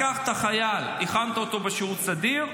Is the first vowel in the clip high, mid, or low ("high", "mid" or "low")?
low